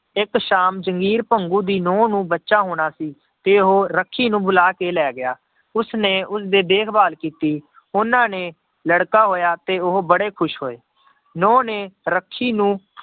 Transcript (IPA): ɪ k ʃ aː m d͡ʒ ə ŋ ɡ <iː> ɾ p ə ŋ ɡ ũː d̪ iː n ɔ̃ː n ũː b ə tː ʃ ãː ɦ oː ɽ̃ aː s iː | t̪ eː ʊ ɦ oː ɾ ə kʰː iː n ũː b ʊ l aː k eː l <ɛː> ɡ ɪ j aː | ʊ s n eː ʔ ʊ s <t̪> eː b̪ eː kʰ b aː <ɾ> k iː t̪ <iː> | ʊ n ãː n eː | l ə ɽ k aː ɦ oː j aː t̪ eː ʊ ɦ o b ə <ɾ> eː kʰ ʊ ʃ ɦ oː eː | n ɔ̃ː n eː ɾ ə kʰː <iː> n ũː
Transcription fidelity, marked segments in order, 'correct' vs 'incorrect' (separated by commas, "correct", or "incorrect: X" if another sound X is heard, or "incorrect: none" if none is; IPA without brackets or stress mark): correct, correct, incorrect: d̪, incorrect: l, correct, incorrect: ɽ, correct